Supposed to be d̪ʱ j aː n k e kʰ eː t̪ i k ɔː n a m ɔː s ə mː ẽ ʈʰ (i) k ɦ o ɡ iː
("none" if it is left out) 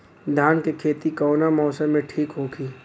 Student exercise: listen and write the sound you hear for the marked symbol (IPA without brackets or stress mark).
iː